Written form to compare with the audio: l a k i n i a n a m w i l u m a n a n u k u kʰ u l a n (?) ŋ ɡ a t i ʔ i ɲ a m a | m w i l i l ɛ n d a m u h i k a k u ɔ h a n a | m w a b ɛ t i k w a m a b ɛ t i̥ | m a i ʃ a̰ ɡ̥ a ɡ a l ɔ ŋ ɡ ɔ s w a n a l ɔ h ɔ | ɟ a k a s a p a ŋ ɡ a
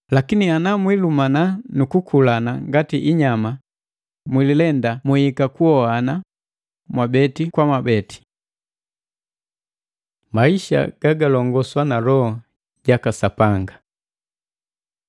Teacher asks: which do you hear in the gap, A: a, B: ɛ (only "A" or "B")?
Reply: A